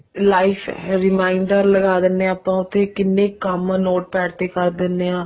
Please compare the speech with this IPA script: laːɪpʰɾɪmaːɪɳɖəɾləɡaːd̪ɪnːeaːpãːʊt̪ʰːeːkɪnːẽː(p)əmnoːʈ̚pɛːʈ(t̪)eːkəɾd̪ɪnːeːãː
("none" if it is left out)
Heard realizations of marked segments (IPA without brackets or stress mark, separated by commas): k, t̪